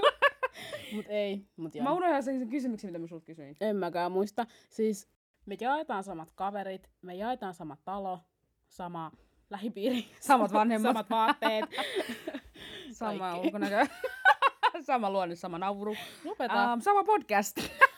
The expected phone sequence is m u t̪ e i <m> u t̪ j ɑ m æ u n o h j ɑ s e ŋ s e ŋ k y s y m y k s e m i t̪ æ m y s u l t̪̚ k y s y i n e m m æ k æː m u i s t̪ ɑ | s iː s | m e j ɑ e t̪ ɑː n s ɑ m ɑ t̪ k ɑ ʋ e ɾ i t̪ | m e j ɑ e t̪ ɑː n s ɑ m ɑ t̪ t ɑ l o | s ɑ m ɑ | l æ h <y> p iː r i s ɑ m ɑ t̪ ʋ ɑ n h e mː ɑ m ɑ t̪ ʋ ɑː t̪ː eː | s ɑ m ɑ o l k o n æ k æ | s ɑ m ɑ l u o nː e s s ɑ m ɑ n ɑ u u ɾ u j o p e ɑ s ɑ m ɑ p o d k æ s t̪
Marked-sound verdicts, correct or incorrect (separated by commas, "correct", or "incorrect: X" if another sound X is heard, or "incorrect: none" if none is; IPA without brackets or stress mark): correct, incorrect: i